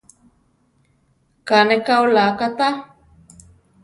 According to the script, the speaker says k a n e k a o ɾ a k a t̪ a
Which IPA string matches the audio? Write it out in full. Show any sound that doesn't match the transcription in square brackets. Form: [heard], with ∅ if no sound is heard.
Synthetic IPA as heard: k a n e k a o [l] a k a t̪ a